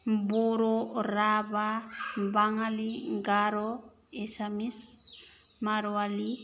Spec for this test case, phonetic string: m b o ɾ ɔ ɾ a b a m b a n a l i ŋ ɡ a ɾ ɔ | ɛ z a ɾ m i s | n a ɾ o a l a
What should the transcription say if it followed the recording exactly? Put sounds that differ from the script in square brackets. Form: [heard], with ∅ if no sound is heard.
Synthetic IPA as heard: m b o ɾ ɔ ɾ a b a m b a [ŋ] a l i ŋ ɡ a ɾ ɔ | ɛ [s] a [∅] m i s | [m] a ɾ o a l [i]